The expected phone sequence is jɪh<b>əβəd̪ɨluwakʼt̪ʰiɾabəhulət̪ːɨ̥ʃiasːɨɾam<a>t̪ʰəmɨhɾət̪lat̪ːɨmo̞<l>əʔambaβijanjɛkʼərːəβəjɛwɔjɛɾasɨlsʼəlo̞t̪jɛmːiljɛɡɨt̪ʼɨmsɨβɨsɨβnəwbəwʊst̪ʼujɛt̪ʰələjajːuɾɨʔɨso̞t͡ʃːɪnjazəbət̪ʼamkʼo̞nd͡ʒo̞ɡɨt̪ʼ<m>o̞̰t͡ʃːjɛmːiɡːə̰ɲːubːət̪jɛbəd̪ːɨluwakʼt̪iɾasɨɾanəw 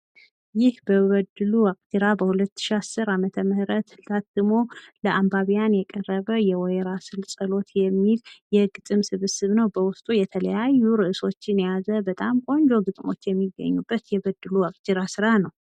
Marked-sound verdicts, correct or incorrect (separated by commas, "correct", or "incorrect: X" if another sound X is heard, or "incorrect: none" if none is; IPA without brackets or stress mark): correct, incorrect: ə, correct, correct